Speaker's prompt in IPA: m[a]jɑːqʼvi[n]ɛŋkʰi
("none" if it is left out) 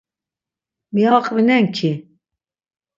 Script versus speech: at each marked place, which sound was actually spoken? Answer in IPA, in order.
i, n

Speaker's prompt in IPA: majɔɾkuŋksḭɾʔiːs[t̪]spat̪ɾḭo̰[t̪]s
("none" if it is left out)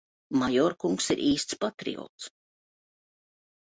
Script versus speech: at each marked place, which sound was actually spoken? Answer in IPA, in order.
t̪, t̪

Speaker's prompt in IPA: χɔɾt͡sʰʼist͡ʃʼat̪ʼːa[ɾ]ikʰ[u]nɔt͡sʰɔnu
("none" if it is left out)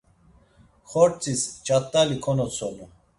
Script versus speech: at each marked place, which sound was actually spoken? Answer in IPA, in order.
l, ɔ

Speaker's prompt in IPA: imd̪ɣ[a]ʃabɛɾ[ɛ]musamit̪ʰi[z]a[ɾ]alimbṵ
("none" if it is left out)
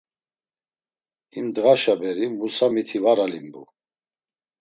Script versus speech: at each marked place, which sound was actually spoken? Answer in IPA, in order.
a, i, v, ɾ

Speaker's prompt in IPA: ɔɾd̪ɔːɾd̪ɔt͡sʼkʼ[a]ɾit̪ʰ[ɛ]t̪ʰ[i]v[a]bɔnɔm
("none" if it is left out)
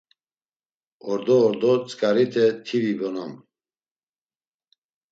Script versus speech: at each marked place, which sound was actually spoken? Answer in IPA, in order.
a, ɛ, i, i

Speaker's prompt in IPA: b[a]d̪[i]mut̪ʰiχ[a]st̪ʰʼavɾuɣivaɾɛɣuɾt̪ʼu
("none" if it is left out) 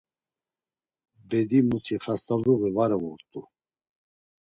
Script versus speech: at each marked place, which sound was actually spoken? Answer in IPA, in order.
ɛ, i, a

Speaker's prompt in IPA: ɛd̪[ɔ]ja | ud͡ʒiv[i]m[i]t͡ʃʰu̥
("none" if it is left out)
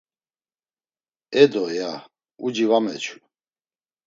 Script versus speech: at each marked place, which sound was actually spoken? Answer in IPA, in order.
ɔ, a, ɛ

